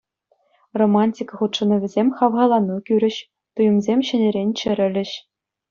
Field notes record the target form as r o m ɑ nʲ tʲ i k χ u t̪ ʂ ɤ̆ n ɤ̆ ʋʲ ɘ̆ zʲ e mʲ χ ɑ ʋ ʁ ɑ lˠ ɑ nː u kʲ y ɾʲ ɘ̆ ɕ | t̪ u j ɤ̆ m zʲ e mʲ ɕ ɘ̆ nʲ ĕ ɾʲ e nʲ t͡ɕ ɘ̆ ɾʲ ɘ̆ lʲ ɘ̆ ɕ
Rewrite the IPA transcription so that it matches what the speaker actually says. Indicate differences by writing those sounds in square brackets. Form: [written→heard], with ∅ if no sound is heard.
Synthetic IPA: r o m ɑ nʲ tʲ i k χ u t̪ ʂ ɤ̆ n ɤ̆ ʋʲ ɘ̆ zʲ e mʲ χ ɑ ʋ ʁ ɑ lˠ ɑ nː u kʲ y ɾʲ ɘ̆ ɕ | t̪ u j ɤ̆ m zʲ e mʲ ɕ ɘ̆ nʲ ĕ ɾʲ e nʲ t͡ɕ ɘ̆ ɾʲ ɘ̆ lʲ ɘ̆ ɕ